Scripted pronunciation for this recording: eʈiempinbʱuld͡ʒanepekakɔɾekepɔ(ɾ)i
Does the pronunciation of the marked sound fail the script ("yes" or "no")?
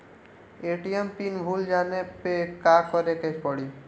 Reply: yes